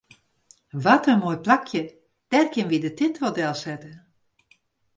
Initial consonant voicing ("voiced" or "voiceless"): voiced